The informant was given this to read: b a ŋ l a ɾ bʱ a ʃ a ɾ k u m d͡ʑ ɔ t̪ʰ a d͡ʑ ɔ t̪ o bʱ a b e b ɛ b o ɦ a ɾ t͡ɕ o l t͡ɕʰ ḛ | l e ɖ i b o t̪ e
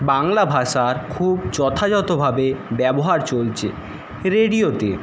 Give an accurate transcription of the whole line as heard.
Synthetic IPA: b a ŋ l a bʱ a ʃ a ɾ kʰ u b d͡ʑ ɔ t̪ʰ a d͡ʑ ɔ t̪ o bʱ a b e b ɛ b o ɦ a ɾ t͡ɕ o l t͡ɕʰ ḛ | ɾ e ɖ i o t̪ e